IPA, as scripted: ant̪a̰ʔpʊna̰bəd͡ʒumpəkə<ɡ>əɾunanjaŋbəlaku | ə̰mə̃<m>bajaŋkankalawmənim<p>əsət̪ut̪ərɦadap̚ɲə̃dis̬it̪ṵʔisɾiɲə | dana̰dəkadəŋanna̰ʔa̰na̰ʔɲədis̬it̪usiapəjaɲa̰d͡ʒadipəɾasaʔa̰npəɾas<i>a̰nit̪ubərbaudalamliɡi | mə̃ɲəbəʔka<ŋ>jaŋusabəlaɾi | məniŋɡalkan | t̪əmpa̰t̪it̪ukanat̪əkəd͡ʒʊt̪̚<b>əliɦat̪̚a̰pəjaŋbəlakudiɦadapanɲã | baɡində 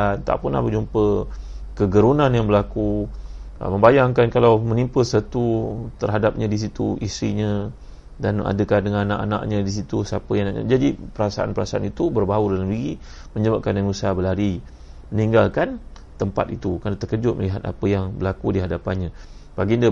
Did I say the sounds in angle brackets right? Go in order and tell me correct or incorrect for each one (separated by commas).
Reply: correct, correct, correct, incorrect, incorrect, incorrect